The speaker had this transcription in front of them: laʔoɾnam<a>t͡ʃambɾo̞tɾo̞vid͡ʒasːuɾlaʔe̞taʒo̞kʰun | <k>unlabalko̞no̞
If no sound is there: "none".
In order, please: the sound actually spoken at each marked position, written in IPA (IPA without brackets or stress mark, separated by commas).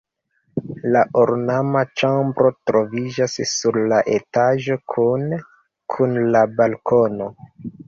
a, kʰ